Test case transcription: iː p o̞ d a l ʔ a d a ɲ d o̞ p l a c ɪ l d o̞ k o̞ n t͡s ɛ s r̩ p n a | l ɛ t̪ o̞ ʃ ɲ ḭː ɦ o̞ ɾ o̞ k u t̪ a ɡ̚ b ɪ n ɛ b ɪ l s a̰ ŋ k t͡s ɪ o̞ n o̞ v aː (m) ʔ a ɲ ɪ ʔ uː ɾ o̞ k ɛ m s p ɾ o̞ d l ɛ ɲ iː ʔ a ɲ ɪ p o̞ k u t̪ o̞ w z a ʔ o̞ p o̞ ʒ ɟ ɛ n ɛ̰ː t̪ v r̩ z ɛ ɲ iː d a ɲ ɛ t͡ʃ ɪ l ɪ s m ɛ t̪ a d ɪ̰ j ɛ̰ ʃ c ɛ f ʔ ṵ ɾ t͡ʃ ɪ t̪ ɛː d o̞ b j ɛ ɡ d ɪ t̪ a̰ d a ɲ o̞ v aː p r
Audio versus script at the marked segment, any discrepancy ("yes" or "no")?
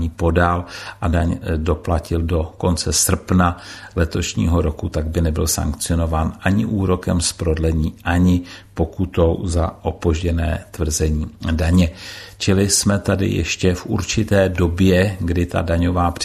yes